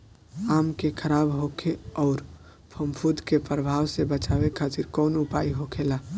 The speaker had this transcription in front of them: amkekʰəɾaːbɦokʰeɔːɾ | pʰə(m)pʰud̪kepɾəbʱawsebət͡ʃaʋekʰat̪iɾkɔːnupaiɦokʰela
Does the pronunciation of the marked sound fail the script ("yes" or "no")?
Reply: no